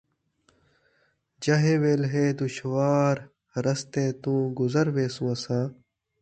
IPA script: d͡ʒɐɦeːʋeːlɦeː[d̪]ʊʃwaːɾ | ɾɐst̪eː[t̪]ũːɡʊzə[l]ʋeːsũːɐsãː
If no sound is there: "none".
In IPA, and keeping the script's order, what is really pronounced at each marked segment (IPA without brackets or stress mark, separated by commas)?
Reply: d̪, t̪, ɾ